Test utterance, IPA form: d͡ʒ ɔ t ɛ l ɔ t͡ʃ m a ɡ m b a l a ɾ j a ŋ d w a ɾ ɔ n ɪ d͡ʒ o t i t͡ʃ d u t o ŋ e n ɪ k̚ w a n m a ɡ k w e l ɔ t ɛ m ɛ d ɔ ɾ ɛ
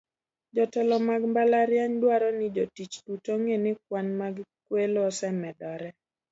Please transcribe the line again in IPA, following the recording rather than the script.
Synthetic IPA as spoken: d͡ʒ ɔ t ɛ l ɔ m a ɡ m b a l a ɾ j a ɲ d w a ɾ ɔ n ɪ d͡ʒ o t i t͡ʃ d u t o ŋ e n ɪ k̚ w a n m a ɡ k w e l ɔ s ɛ m ɛ d ɔ ɾ ɛ